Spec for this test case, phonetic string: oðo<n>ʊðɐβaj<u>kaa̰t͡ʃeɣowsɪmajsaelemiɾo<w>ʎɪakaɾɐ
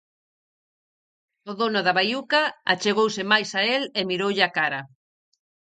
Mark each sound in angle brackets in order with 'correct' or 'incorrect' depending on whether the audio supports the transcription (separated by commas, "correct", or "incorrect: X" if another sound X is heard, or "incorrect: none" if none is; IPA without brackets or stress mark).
correct, correct, correct